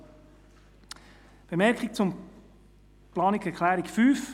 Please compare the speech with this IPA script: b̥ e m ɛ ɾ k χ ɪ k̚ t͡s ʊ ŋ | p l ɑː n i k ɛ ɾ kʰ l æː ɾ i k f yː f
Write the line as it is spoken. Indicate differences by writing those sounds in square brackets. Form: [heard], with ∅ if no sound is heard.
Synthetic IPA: b̥ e m ɛ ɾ k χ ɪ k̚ t͡s ʊ [m] | p l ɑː n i k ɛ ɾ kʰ l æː ɾ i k f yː f